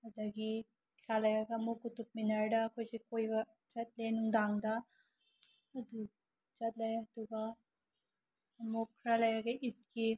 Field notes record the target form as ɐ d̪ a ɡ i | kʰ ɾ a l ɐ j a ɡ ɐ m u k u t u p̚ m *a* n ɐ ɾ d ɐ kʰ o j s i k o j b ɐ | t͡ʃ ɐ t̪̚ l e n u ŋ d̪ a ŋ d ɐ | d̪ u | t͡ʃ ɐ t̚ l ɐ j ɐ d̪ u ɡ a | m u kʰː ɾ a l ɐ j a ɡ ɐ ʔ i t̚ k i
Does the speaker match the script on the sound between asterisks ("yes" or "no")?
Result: no